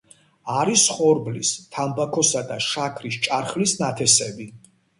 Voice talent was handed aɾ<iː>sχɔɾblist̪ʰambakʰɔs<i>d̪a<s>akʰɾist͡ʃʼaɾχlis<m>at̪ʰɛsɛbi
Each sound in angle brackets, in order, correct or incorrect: incorrect, incorrect, incorrect, incorrect

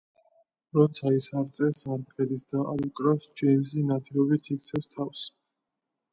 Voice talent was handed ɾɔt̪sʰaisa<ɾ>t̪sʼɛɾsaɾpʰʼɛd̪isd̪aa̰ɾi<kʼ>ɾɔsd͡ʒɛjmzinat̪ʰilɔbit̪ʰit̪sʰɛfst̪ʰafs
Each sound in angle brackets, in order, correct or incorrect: correct, correct

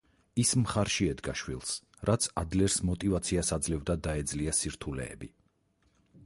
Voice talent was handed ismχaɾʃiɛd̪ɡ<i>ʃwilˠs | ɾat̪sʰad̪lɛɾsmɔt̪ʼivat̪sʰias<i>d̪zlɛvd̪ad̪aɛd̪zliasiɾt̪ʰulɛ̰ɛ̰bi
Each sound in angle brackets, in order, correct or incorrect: incorrect, incorrect

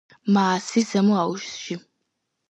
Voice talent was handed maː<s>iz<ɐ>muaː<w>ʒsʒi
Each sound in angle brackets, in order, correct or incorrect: correct, correct, correct

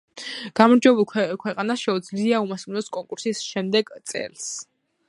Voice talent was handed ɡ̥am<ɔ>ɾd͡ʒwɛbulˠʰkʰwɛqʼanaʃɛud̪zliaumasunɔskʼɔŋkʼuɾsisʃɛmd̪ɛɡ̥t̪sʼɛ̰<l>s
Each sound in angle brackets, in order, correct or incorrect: correct, correct

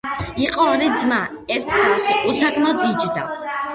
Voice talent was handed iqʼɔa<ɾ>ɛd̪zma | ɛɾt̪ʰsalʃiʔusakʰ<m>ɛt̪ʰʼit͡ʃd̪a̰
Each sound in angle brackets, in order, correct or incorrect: correct, correct

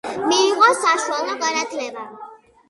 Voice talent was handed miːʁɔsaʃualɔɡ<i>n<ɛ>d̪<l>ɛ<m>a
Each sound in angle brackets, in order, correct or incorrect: incorrect, incorrect, correct, incorrect

